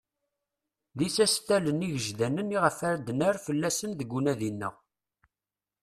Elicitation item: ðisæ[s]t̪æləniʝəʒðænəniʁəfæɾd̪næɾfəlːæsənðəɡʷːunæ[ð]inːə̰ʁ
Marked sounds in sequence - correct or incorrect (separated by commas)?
correct, correct